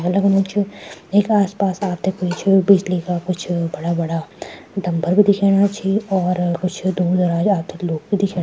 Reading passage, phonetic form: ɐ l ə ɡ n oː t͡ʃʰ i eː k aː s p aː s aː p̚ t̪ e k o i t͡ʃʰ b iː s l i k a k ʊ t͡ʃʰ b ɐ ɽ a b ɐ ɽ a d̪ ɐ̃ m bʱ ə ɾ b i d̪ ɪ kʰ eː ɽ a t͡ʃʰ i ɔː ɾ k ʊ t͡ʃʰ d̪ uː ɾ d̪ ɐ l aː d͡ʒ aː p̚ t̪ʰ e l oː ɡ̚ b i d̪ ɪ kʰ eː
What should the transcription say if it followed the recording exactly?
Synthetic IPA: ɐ l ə ɡ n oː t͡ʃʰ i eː k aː s p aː s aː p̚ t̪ e k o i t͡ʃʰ b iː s l i k a k ʊ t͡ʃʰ b ɐ ɽ a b ɐ ɽ a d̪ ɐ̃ m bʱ ə ɾ b i d̪ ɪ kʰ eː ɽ a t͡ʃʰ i ɔː ɾ k ʊ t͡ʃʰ d̪ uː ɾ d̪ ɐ ɾ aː d͡ʒ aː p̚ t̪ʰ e l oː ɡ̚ b i d̪ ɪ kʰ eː

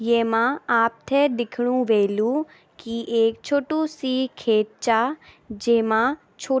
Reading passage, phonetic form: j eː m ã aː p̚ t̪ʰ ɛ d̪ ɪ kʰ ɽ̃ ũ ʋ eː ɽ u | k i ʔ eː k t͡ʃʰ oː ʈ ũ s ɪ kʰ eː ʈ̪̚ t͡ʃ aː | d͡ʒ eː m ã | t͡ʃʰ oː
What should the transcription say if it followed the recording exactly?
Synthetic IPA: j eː m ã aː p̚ t̪ʰ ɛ d̪ ɪ kʰ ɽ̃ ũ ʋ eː l u | k i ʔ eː k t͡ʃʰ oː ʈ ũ s i kʰ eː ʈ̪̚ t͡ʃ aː | d͡ʒ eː m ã | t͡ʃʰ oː

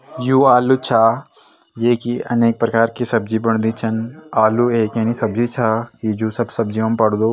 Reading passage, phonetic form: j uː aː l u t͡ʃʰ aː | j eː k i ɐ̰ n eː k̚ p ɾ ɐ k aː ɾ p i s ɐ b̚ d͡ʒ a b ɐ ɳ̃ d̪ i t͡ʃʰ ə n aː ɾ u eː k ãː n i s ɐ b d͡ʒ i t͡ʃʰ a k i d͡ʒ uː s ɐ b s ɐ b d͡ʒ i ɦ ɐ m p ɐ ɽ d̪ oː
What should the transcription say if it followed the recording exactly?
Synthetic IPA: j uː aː l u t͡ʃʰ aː | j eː k i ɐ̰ n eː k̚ p ɾ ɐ k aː ɾ k i s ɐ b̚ d͡ʒ i b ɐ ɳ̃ d̪ i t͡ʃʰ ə n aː l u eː k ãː n i s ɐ b d͡ʒ i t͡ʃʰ a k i d͡ʒ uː s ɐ b s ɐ b d͡ʒ i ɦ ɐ m p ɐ ɽ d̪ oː

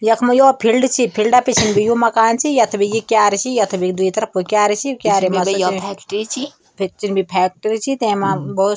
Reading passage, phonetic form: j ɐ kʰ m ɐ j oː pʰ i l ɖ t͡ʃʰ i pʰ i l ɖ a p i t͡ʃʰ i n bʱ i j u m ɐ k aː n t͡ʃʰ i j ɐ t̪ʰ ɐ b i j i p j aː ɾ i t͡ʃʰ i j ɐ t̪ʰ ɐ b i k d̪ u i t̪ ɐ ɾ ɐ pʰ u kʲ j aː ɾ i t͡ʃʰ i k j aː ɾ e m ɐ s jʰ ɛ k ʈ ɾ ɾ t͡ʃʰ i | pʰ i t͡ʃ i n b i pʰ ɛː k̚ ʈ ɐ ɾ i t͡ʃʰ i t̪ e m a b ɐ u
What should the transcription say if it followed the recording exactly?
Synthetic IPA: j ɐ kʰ m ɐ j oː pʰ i l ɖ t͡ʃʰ i pʰ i l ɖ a p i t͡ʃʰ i n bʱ i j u m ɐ k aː n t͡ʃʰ i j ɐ t̪ʰ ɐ b i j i k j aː ɾ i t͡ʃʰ i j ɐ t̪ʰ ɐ b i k d̪ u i t̪ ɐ ɾ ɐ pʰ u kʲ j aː ɾ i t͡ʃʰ i k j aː ɾ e m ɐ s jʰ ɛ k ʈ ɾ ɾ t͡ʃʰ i | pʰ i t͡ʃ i n b i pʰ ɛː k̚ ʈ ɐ ɾ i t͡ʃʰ i t̪ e m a b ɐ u

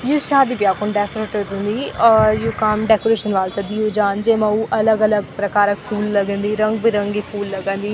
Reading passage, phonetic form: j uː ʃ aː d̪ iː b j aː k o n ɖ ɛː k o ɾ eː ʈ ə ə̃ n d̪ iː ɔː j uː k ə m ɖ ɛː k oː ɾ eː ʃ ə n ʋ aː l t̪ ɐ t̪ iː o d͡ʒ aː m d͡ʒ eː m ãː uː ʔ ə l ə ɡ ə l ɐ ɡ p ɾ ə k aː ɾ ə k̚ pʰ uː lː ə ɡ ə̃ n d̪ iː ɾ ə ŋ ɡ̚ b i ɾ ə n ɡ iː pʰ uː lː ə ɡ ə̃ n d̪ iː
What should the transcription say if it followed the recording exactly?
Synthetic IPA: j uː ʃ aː d̪ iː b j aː k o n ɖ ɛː k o ɾ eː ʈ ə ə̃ n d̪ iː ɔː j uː k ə m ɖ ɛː k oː ɾ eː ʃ ə n ʋ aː l t̪ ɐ d̪ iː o d͡ʒ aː n d͡ʒ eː m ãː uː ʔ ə l ə ɡ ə l ə ɡ p ɾ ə k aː ɾ ə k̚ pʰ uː lː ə ɡ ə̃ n d̪ iː ɾ ə ŋ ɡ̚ b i ɾ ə ŋ ɡ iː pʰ uː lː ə ɡ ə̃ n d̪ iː

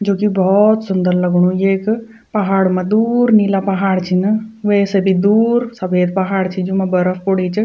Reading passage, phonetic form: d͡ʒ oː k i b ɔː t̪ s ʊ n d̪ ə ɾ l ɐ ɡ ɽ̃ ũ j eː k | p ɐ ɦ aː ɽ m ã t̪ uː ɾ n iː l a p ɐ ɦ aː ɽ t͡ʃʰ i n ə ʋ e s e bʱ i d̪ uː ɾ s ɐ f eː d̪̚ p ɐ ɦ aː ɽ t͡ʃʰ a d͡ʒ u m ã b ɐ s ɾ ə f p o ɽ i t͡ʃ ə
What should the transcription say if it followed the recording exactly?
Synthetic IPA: d͡ʒ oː k i b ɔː t̪ s ʊ n d̪ ə ɾ l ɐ ɡ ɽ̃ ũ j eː k | p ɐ ɦ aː ɽ m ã d̪ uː ɾ n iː l a p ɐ ɦ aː ɽ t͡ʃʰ i n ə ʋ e s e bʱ i d̪ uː ɾ s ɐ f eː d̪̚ p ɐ ɦ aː ɽ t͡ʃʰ i d͡ʒ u m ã b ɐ ɾ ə f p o ɽ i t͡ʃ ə

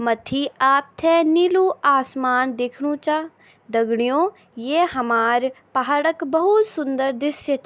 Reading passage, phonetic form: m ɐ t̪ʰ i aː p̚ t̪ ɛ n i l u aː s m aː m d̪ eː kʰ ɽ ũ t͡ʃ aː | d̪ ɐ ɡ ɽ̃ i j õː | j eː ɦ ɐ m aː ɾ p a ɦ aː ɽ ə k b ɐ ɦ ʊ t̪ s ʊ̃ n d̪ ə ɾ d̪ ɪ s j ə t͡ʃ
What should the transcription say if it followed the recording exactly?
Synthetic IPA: m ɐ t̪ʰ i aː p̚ t̪ʰ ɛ n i l u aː s m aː n d̪ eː kʰ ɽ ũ t͡ʃ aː | d̪ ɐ ɡ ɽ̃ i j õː | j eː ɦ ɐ m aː ɾ p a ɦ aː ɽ ə k b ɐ ɦ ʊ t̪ s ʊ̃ n d̪ ə ɾ d̪ ɪ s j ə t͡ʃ

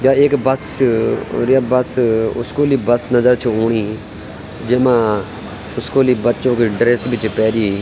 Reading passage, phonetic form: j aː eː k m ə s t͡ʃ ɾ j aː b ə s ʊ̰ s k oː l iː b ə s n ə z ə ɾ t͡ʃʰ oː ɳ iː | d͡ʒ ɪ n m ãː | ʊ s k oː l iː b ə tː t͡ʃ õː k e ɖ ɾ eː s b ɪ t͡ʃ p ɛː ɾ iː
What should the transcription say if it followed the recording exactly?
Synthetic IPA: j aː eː k b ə s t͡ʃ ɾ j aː b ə s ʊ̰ s k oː l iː b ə s n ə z ə ɾ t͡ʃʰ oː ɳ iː | d͡ʒ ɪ m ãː | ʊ s k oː l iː b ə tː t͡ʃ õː k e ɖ ɾ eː s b ɪ t͡ʃ p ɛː ɾ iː

